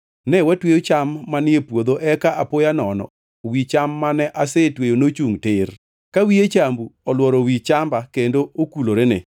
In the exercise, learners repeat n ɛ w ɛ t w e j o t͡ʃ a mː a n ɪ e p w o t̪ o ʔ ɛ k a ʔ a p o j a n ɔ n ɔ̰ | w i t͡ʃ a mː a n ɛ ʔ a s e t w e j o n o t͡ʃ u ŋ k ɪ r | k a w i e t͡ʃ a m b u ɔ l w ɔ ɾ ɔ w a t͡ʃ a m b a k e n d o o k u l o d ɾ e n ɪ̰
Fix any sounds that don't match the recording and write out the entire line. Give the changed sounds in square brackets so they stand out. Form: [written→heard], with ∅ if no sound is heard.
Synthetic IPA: n ɛ w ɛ t w e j o t͡ʃ a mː a n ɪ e p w o [t̪→d̪] o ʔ ɛ k a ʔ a p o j a n ɔ n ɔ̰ | w i t͡ʃ a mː a n ɛ ʔ a s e t w e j o n o t͡ʃ u ŋ [k→t] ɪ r | k a w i e t͡ʃ a m b u ɔ l w ɔ ɾ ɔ w [a→i] t͡ʃ a m b a k e n d o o k u l o [d→∅] ɾ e n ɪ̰